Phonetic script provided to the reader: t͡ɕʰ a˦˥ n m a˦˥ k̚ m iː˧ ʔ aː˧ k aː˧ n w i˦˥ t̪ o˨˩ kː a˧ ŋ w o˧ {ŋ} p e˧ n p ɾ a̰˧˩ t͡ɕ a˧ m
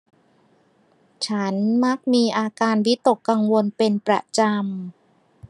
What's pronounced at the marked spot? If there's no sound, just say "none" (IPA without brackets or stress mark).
n